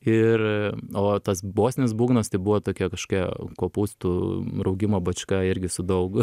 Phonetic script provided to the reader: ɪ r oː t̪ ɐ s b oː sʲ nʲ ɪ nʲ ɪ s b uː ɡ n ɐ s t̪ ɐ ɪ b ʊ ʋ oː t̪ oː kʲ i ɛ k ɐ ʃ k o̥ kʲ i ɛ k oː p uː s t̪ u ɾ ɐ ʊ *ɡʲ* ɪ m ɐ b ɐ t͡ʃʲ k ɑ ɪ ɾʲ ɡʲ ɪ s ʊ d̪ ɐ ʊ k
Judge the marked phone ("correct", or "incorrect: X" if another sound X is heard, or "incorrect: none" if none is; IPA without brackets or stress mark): correct